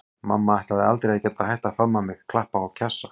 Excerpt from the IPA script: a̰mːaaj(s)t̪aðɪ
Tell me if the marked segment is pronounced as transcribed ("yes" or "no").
no